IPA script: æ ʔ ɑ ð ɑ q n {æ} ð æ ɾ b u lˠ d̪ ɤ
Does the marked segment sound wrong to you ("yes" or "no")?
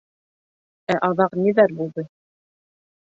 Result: yes